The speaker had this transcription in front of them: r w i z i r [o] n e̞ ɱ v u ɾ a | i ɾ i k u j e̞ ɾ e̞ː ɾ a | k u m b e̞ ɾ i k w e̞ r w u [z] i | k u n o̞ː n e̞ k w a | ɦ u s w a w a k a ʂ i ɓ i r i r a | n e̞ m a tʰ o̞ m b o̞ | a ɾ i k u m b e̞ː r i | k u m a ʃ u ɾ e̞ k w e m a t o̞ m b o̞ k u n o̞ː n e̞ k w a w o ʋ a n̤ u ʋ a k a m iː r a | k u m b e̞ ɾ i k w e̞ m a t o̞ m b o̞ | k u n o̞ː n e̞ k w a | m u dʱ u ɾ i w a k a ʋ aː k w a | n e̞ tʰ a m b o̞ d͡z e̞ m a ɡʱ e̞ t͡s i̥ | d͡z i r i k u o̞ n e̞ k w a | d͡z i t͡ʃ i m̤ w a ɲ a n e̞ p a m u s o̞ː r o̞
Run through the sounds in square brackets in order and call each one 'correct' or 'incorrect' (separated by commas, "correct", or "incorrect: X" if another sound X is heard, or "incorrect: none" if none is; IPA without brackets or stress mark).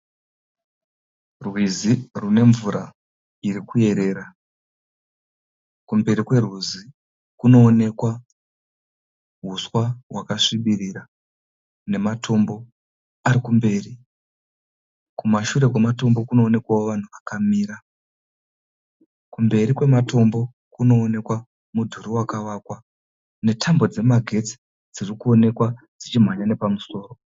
incorrect: u, correct